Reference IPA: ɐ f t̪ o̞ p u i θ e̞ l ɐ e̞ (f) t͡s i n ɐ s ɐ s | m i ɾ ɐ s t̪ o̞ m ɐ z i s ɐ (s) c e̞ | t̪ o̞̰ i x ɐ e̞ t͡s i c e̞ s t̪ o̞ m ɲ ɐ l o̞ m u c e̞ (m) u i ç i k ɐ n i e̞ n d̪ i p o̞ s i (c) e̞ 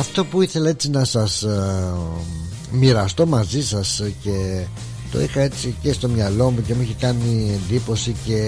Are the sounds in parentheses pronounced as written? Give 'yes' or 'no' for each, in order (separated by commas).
no, yes, yes, yes